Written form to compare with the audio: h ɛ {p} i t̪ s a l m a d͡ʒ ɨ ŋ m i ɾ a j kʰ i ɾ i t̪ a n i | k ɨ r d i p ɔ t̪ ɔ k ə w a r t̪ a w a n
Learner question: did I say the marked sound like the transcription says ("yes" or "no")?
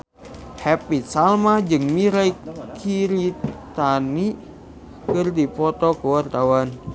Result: yes